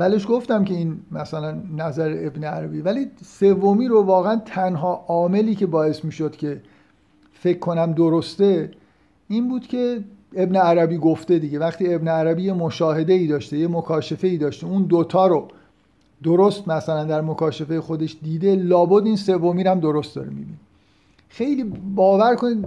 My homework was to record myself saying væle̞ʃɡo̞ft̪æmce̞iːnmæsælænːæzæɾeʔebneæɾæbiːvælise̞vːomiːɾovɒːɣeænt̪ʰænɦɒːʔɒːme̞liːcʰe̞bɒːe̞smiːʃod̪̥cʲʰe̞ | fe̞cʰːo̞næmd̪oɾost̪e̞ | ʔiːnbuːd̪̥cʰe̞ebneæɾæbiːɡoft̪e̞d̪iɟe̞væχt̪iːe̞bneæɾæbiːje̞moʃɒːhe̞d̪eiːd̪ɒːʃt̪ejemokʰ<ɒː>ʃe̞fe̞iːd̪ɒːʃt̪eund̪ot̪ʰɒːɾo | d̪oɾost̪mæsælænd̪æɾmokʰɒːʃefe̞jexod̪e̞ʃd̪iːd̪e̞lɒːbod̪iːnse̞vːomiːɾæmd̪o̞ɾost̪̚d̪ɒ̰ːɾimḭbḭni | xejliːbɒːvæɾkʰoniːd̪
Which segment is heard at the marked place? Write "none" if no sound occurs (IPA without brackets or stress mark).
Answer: ɒː